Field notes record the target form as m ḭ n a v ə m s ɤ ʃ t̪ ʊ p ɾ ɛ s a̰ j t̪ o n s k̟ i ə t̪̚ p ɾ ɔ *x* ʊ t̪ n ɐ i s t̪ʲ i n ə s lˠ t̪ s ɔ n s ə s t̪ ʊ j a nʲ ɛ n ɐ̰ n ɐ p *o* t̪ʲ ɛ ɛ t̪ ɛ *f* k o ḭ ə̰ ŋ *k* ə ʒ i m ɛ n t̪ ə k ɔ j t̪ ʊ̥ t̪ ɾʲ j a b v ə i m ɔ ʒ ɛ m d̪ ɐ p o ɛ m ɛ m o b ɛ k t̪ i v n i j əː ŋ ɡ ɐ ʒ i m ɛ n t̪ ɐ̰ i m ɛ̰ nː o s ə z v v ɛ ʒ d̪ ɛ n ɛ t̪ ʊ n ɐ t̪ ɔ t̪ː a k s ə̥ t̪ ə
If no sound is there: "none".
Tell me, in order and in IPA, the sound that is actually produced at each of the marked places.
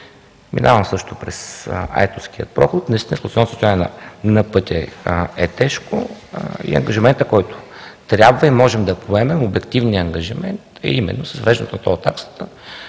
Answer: x, ɤ, ʃ, ɡ

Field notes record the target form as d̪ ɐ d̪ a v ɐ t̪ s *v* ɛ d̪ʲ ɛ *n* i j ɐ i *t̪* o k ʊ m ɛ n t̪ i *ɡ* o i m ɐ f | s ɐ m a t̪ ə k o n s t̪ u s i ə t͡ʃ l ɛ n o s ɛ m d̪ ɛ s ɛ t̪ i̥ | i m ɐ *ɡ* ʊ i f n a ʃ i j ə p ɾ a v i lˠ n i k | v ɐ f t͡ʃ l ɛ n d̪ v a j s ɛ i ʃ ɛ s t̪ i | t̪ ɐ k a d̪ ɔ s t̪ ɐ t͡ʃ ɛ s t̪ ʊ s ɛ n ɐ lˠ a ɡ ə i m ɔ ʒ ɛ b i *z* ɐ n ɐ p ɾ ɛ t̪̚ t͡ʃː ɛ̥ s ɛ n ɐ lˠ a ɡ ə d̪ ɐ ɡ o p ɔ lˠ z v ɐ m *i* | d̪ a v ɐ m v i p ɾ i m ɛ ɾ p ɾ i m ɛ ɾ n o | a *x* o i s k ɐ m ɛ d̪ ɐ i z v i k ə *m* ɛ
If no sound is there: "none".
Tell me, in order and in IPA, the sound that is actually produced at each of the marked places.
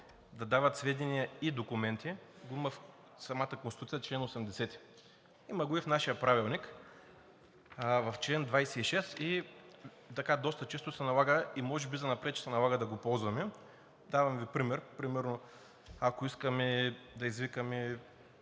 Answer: v, n, d̪, ɡ, ɡ, z, ɛ, k, m

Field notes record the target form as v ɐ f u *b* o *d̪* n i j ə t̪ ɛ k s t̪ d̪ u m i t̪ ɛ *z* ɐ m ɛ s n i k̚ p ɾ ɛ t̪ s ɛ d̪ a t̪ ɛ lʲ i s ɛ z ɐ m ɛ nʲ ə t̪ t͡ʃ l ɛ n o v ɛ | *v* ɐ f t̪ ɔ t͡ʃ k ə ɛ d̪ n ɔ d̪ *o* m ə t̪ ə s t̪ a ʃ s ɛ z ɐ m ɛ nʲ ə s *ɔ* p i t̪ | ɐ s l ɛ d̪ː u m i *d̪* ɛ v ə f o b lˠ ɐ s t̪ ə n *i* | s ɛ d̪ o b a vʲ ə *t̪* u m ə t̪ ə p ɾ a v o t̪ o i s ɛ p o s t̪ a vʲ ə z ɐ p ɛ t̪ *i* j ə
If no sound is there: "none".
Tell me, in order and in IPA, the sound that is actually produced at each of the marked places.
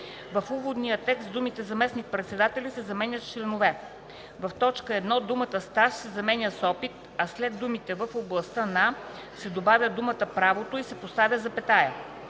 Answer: v, d̪, z, v, u, ɔ, t̪, a, d̪, a

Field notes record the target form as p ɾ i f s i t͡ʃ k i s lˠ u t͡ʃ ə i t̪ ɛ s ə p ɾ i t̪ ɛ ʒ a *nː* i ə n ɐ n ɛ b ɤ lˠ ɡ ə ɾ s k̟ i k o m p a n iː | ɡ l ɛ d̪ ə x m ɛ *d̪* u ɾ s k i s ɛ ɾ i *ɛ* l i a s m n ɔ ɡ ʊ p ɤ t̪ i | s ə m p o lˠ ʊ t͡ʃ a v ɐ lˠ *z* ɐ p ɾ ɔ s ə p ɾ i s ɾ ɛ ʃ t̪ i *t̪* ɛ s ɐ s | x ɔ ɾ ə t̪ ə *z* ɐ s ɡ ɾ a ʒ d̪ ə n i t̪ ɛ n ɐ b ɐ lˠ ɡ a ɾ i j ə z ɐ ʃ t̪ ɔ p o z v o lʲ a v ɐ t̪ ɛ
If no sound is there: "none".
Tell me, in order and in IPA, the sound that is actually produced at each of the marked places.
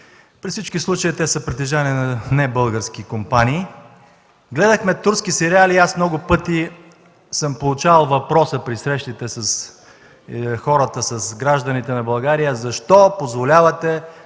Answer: n, t̪, a, v, t̪, s

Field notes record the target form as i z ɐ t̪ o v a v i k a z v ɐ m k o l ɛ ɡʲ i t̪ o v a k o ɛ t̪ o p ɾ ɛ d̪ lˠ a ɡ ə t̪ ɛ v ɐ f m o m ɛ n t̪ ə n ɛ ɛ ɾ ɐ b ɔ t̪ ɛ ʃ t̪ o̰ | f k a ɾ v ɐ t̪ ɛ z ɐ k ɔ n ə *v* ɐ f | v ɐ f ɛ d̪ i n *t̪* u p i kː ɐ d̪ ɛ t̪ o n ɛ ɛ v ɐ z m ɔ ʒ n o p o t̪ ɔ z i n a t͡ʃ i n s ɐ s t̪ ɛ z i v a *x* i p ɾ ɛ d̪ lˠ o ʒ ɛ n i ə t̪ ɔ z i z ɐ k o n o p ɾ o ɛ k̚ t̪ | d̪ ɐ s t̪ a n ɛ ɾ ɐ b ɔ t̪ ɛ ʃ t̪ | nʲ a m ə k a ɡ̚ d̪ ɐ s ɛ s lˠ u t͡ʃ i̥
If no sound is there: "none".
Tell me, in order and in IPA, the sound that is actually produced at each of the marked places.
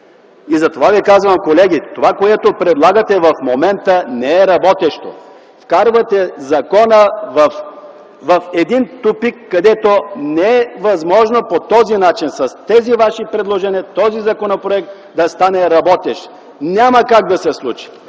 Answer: v, t̪, ʃ

